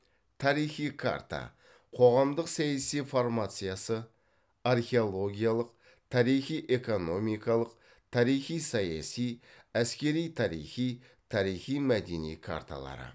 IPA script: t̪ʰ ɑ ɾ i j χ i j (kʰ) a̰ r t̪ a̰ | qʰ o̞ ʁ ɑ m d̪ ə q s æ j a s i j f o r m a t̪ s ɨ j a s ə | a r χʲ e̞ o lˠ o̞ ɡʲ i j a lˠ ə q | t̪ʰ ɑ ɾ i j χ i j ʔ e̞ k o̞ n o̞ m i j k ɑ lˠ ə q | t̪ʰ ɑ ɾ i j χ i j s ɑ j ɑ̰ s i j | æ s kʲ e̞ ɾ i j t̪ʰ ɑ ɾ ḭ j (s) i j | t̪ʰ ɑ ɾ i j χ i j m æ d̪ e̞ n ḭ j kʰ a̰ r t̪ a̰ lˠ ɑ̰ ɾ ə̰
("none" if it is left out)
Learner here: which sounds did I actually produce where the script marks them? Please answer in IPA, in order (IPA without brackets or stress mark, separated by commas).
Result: kʰ, χ